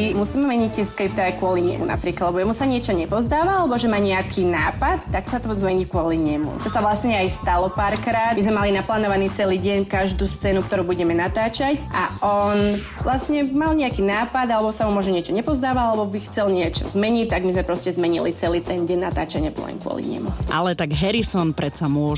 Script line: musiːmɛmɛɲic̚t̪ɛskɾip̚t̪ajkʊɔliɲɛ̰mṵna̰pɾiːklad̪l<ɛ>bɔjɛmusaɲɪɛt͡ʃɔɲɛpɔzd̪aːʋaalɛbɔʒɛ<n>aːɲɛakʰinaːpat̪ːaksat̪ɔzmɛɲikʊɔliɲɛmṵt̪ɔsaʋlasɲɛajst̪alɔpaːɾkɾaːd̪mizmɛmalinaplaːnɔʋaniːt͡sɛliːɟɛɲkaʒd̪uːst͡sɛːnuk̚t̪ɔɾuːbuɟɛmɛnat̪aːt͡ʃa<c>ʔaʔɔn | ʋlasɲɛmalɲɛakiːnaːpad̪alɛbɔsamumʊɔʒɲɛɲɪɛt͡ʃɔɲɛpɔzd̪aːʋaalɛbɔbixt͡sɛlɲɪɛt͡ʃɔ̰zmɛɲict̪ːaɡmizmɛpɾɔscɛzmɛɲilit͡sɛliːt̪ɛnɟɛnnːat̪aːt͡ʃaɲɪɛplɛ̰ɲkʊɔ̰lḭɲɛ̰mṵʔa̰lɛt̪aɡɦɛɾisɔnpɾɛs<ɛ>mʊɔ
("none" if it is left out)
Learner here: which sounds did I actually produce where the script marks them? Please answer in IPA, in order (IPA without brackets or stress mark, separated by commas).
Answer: ɛ, m, c, a